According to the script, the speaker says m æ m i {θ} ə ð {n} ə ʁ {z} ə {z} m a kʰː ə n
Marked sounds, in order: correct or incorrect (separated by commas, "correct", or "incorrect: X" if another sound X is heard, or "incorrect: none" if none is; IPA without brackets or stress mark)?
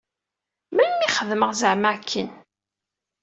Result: incorrect: χ, incorrect: m, correct, incorrect: ʕ